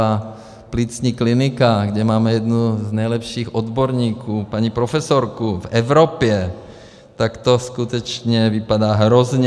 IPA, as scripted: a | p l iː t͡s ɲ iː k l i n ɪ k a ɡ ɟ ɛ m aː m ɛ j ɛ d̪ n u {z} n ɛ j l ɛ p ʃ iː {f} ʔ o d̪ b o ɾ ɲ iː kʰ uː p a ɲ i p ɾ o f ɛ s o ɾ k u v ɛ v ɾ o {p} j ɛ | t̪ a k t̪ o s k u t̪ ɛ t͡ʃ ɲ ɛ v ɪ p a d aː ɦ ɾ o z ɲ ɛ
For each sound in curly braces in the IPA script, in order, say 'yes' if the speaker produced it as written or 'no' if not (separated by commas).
yes, no, yes